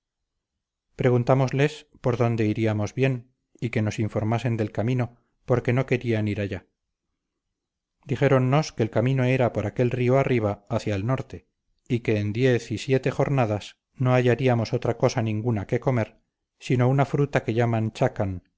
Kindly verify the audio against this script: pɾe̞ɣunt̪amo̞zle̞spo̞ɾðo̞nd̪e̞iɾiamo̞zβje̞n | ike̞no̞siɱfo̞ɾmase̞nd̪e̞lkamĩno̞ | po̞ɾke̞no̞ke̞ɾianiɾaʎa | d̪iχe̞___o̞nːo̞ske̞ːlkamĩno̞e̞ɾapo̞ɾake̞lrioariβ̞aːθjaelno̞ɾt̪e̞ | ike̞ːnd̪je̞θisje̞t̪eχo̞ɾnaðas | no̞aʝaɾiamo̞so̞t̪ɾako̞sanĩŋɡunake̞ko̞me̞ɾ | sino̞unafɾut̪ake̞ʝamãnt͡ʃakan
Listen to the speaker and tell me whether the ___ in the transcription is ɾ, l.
ɾ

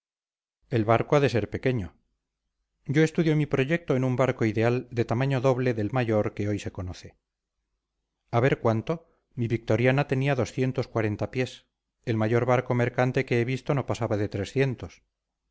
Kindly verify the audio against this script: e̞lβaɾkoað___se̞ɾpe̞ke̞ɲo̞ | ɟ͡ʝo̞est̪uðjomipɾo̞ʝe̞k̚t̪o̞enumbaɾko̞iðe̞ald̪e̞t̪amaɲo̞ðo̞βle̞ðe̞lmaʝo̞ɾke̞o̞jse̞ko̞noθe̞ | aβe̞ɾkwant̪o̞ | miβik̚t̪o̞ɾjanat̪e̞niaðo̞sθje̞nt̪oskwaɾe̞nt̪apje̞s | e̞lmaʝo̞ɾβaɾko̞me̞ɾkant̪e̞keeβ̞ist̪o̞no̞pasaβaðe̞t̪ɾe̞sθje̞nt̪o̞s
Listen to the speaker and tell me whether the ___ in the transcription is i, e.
e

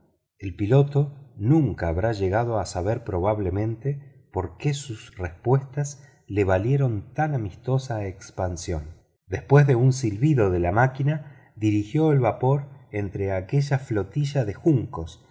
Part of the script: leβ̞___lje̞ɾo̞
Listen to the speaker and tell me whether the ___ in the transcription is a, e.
a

